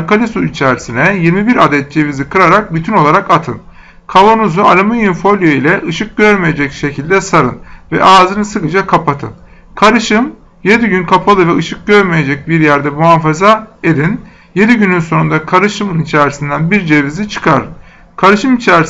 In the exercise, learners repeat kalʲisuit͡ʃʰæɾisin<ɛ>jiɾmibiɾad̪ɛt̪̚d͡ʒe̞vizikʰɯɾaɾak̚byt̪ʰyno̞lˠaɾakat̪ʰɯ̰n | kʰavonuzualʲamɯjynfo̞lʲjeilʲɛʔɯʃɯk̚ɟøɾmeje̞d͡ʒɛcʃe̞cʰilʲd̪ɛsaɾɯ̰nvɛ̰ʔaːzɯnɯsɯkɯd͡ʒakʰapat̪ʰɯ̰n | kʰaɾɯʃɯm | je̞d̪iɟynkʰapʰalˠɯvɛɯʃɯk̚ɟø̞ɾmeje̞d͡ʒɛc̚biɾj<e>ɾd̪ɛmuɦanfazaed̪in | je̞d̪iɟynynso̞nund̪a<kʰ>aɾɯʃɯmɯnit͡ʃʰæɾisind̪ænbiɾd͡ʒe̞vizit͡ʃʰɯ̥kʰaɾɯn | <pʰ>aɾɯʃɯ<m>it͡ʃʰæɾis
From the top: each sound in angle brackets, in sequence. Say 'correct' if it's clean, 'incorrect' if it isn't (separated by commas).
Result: correct, incorrect, correct, incorrect, correct